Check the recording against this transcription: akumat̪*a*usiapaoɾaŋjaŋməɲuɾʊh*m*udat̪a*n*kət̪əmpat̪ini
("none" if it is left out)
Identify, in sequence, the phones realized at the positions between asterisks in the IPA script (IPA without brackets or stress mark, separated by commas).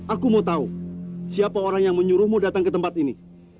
a, m, ŋ